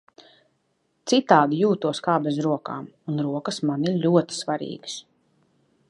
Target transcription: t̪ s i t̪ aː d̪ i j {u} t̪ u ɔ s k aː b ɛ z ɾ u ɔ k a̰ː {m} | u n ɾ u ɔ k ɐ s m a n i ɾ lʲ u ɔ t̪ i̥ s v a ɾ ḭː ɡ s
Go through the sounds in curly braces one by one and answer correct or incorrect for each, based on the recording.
incorrect: uː, correct

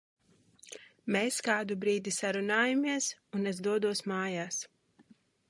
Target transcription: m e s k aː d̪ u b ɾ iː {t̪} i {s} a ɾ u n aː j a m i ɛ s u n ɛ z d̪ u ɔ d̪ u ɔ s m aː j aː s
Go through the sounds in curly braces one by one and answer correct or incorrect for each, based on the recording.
incorrect: d̪, correct

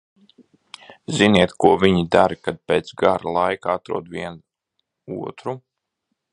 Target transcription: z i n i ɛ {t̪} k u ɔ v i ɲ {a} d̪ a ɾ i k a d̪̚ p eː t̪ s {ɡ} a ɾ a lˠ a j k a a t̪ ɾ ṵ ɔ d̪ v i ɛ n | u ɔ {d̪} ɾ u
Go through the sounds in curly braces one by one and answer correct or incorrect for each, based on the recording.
correct, incorrect: i, correct, incorrect: t̪

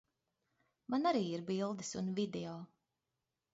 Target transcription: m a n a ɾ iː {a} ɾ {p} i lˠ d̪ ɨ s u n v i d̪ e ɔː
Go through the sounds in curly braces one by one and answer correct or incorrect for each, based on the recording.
incorrect: i, incorrect: b

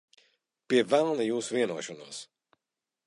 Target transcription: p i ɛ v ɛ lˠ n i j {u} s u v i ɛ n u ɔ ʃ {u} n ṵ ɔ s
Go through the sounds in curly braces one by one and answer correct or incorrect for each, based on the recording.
incorrect: uː, incorrect: ɔ

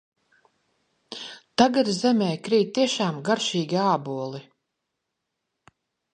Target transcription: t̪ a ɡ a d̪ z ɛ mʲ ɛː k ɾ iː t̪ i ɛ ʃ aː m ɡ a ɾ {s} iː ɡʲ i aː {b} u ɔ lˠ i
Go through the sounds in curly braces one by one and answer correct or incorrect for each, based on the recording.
incorrect: ʃ, correct

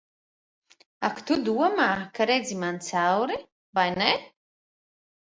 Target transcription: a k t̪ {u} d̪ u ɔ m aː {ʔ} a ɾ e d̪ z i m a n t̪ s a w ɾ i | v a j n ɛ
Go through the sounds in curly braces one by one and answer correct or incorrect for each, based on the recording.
correct, incorrect: k

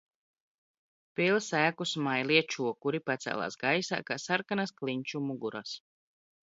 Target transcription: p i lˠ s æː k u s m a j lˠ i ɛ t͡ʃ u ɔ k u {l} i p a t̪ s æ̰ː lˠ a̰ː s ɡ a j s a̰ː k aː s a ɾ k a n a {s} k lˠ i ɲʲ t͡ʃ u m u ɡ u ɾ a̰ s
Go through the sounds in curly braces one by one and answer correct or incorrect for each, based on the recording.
incorrect: ɾ, correct

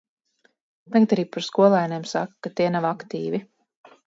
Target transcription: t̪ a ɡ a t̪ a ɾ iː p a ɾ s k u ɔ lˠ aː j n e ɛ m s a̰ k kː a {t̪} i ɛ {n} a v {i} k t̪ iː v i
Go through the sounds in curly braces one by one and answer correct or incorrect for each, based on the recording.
correct, correct, incorrect: a

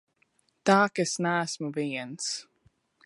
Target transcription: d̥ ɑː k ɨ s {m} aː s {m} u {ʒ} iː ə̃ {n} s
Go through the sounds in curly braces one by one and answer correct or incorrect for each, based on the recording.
incorrect: n, correct, incorrect: v, correct

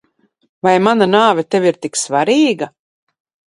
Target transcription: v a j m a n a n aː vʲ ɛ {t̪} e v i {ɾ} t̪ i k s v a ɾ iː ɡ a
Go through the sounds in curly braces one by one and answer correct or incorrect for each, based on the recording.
correct, correct

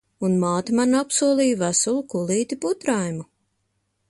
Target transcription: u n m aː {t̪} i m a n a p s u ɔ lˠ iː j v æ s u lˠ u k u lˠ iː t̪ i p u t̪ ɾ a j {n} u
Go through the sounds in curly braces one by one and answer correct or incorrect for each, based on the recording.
correct, incorrect: m

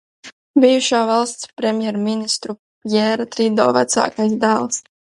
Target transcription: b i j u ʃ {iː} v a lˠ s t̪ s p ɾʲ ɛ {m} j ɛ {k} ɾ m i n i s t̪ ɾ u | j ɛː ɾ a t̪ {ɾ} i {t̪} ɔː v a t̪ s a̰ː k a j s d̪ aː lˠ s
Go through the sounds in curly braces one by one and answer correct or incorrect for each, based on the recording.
incorrect: aː, correct, incorrect: none, correct, incorrect: d̪

